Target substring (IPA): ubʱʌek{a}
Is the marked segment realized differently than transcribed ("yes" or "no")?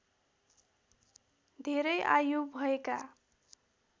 no